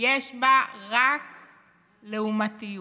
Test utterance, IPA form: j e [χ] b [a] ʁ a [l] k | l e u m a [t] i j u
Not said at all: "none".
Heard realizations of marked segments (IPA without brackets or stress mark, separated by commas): ʃ, a, none, t